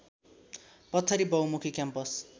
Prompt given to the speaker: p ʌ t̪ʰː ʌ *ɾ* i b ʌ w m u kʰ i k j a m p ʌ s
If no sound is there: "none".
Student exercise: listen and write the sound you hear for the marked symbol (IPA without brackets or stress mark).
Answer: ɾ